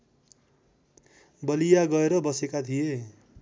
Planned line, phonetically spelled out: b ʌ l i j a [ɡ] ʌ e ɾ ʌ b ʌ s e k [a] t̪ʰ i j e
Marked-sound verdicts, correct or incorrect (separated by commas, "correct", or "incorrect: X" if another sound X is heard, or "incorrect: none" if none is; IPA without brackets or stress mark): correct, correct